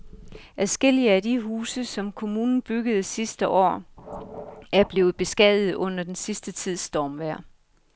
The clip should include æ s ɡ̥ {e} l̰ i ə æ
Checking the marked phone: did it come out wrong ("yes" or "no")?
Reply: no